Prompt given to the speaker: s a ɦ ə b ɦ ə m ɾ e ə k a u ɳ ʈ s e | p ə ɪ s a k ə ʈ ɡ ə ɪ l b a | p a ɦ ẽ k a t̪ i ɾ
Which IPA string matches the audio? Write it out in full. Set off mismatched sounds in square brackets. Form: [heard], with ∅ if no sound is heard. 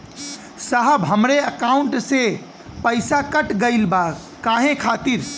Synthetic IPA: s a ɦ ə b ɦ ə m ɾ e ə k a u ɳ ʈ s e | p ə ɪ s a k ə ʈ ɡ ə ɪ l b a | [k] a ɦ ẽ [kʰ] a t̪ i ɾ